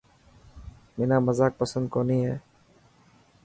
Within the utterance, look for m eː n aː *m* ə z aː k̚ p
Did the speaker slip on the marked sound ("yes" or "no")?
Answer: no